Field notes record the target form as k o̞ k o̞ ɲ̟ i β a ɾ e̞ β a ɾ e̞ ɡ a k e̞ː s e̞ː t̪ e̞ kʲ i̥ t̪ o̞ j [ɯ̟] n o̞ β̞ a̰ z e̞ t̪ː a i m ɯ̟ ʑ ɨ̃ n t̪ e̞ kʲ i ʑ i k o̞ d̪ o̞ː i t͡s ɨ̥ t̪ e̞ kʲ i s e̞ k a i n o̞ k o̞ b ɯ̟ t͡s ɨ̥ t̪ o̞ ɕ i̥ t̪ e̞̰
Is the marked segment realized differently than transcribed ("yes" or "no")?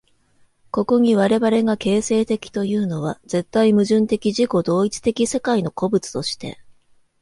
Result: yes